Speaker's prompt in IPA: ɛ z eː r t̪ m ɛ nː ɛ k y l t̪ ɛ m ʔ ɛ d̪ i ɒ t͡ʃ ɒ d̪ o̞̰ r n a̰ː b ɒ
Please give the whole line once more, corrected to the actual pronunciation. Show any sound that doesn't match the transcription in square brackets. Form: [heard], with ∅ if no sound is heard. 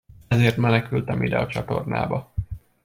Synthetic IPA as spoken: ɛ z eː r t̪ m ɛ [n] ɛ k y l t̪ ɛ m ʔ [i] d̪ [ɛ] ɒ t͡ʃ ɒ [t̪] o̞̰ r n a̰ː b ɒ